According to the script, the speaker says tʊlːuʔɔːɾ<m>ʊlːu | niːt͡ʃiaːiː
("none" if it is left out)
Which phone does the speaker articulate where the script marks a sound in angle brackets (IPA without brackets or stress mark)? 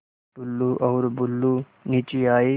b